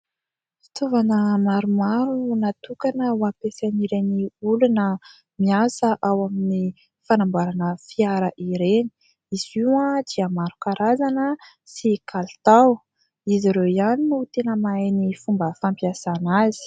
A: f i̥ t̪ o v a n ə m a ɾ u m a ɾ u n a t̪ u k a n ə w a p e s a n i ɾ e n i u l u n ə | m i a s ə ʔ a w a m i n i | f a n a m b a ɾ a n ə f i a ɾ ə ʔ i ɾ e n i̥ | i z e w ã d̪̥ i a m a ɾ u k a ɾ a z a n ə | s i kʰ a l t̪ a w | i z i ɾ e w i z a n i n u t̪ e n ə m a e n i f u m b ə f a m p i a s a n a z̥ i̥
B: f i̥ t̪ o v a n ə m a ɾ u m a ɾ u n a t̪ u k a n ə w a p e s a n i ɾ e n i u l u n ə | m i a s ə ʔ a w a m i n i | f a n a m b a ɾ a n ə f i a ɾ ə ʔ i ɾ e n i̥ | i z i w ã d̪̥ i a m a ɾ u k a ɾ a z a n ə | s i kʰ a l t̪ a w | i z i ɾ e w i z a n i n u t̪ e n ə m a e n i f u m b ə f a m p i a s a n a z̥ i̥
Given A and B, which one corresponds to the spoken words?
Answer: B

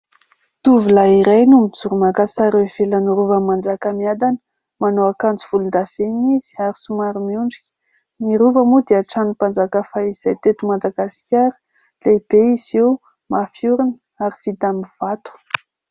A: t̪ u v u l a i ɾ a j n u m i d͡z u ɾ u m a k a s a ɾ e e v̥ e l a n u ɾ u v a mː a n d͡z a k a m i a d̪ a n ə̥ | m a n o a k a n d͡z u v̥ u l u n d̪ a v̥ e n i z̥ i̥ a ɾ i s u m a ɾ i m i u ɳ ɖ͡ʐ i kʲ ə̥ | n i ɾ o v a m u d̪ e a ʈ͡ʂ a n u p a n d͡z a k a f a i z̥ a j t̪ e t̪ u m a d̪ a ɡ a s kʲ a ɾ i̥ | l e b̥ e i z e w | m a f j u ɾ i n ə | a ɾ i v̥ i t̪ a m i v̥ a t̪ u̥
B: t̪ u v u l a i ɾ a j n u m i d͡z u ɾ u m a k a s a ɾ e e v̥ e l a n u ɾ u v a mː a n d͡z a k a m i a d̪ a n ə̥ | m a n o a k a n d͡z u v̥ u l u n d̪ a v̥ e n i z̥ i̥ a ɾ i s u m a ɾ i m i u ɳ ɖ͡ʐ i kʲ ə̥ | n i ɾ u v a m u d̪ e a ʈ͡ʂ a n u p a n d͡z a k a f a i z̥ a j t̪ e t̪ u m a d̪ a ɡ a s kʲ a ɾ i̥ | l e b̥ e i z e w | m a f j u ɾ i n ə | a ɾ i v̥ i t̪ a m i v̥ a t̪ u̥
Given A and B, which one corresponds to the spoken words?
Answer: B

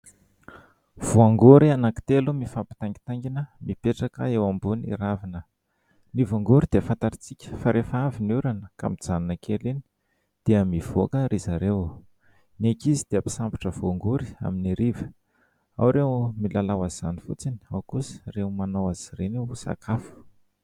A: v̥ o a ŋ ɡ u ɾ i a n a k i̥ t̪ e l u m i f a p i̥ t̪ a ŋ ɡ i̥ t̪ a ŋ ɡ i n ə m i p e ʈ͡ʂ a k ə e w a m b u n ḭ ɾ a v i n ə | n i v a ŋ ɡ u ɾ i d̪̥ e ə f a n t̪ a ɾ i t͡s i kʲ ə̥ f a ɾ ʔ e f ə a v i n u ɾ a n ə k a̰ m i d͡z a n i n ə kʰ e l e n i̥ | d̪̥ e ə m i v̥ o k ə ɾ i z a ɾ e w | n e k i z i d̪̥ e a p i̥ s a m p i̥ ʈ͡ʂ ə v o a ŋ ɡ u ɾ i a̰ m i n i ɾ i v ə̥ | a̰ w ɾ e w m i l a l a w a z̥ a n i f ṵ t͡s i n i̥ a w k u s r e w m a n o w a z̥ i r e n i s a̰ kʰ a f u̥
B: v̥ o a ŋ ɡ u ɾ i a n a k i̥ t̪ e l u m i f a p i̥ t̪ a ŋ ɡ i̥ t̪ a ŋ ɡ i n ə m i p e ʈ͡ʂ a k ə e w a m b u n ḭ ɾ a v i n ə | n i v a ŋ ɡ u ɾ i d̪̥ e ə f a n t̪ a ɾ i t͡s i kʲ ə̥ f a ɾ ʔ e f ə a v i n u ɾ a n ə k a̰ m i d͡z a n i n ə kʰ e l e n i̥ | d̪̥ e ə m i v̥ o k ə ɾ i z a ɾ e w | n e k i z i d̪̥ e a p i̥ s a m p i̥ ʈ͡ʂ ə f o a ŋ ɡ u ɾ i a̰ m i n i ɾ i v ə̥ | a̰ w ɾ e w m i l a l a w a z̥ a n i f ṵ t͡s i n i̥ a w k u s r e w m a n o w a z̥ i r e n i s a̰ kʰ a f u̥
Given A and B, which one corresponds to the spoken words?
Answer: A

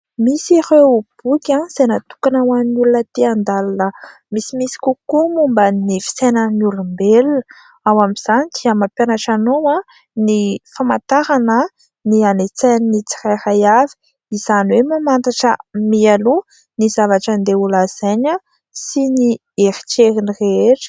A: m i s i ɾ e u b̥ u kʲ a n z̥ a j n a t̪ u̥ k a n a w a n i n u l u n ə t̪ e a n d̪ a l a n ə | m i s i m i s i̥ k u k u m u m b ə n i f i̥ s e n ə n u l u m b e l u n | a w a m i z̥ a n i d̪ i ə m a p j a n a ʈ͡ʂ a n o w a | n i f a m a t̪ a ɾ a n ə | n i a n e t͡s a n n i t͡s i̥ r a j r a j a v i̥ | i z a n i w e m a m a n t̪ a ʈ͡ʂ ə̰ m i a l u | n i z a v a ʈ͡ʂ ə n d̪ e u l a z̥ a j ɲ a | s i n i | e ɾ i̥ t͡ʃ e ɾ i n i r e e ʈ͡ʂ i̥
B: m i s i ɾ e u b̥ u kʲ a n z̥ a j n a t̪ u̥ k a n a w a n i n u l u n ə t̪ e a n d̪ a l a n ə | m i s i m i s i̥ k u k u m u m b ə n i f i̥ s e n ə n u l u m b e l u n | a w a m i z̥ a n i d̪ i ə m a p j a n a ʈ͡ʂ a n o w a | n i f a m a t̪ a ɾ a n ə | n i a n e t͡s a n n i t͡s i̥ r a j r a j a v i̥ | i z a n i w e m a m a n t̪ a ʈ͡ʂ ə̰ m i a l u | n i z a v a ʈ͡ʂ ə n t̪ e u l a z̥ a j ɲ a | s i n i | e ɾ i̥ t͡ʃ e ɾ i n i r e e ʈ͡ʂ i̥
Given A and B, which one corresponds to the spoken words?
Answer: A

